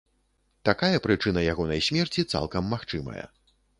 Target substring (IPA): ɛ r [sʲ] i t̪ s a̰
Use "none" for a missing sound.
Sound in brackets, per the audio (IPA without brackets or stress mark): t͡sʲ